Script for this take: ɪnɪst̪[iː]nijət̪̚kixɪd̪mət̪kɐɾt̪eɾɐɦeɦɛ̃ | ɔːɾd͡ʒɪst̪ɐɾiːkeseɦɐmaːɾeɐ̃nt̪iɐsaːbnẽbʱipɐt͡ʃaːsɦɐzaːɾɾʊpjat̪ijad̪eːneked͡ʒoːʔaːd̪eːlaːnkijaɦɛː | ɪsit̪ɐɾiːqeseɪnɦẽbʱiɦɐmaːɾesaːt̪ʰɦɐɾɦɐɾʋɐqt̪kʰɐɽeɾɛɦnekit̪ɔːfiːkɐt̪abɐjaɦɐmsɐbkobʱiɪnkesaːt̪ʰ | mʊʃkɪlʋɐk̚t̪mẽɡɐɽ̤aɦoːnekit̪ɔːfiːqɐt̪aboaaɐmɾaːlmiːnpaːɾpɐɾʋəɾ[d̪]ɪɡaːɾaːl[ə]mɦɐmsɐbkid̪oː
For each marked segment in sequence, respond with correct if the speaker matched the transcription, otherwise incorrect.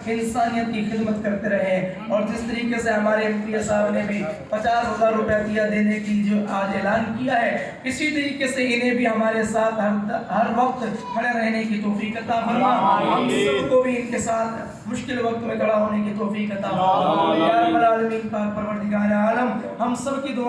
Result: incorrect: aː, incorrect: t̪, correct

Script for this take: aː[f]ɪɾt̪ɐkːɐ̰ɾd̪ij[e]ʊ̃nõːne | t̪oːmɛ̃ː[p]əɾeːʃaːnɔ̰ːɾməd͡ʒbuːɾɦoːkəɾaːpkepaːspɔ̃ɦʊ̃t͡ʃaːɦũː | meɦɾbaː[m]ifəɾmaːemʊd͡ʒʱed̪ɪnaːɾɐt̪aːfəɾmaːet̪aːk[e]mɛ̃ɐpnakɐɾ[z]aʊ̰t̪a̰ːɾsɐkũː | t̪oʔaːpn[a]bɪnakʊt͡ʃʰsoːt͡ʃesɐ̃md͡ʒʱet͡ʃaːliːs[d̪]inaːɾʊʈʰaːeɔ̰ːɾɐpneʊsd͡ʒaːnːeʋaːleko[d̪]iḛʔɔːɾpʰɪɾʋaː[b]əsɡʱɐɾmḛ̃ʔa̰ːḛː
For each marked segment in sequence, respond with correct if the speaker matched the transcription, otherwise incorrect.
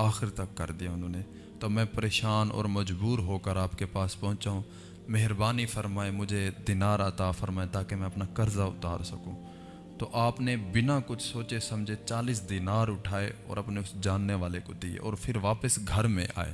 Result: incorrect: x, incorrect: a, correct, incorrect: n, correct, correct, incorrect: e, correct, correct, incorrect: p

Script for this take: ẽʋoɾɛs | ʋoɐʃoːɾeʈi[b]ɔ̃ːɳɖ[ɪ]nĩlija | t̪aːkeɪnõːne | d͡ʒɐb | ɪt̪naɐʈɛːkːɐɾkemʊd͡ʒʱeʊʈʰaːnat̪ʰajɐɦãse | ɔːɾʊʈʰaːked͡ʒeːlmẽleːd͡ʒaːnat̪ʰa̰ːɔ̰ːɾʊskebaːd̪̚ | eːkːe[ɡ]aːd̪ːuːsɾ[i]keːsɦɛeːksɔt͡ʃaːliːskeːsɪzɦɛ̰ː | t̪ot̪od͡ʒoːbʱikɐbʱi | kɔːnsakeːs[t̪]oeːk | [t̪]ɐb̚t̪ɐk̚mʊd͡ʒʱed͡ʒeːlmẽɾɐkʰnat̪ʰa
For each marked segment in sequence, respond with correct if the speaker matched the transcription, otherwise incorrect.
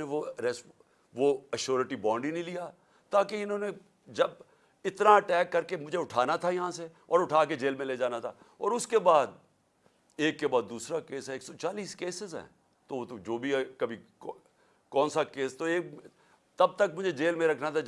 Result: correct, incorrect: i, incorrect: b, incorrect: a, correct, correct

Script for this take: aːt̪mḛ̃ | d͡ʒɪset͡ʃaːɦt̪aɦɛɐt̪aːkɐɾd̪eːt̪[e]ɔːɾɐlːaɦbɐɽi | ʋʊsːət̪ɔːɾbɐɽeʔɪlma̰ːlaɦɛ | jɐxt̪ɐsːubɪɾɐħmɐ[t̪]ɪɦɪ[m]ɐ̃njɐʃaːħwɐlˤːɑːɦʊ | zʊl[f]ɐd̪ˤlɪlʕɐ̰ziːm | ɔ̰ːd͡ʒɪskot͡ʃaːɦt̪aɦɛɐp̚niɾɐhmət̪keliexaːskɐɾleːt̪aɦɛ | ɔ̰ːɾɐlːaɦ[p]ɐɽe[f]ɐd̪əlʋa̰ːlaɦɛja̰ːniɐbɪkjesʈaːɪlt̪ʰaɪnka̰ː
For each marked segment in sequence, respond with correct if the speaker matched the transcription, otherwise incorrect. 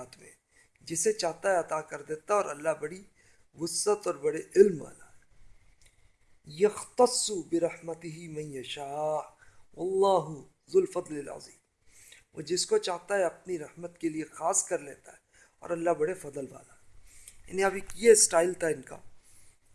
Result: incorrect: a, correct, correct, correct, incorrect: b, correct

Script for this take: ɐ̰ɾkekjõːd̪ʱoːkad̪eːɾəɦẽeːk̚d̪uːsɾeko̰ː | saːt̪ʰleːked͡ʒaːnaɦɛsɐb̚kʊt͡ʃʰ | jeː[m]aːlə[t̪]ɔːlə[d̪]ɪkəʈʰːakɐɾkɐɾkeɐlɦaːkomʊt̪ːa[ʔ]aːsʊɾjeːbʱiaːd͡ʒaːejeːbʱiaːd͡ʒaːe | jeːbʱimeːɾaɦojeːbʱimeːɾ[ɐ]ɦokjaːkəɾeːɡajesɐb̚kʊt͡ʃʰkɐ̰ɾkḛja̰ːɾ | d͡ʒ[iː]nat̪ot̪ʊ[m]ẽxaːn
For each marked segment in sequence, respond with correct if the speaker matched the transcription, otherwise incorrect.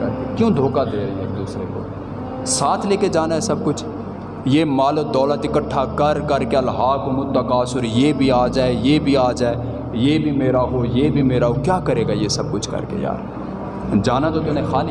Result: correct, incorrect: d̪, incorrect: t̪, incorrect: k, incorrect: a, incorrect: aː, incorrect: n

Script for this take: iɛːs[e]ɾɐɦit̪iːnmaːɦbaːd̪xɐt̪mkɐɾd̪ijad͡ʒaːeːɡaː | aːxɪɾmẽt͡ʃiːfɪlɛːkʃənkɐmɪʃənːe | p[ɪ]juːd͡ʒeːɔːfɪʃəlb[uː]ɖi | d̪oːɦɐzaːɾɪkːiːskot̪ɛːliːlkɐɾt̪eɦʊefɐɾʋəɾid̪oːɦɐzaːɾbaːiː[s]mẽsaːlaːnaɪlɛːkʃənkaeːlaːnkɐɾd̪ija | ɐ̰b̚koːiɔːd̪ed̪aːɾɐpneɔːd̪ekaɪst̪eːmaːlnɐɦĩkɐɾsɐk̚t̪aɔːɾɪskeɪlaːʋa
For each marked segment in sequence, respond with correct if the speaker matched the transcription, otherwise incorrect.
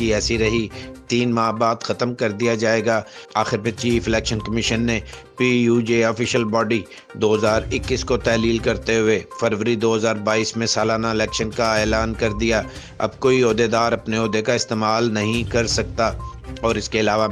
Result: incorrect: i, incorrect: i, incorrect: ɔː, correct

